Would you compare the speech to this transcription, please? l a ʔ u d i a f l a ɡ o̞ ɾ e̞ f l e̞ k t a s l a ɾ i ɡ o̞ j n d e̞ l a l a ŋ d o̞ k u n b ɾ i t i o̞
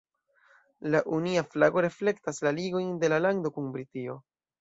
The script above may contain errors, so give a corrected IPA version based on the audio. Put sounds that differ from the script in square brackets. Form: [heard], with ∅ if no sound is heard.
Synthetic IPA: l a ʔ u [n] i a f l a ɡ o̞ ɾ e̞ f l e̞ k t a s l a [l] i ɡ o̞ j n d e̞ l a l a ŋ d o̞ k u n b ɾ i t i o̞